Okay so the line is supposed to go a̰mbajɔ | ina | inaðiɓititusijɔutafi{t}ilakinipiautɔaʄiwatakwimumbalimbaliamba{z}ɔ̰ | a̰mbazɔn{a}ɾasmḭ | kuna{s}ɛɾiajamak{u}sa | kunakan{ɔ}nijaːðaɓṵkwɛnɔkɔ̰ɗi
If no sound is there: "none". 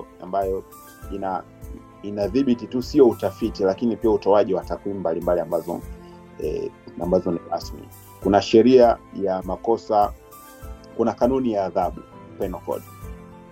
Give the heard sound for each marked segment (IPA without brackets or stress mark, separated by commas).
t, z, i, ʃ, ɔ, u